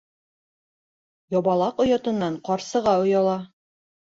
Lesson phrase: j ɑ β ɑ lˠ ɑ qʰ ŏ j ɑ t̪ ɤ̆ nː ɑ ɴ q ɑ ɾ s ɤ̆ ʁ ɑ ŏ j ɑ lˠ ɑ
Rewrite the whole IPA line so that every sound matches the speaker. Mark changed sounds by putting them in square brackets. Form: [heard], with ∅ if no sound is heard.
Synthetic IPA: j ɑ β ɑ lˠ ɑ [q] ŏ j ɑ t̪ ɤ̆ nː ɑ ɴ q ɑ ɾ s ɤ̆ ʁ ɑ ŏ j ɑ lˠ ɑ